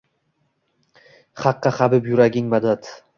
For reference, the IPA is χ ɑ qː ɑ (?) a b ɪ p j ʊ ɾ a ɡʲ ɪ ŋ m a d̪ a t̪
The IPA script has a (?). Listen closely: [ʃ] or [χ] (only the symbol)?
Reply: χ